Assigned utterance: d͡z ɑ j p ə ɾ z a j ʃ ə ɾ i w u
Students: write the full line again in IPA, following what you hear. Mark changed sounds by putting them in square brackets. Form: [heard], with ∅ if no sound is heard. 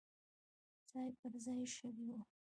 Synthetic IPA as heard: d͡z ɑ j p ə ɾ z [ɑ] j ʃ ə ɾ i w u